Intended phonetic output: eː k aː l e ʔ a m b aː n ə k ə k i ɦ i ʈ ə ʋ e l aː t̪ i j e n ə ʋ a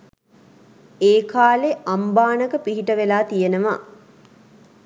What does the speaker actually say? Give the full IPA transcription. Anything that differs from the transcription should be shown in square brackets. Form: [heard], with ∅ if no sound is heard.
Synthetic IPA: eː k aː l e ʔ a m b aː n ə k ə [p] i ɦ i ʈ ə ʋ e l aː t̪ i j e n ə ʋ a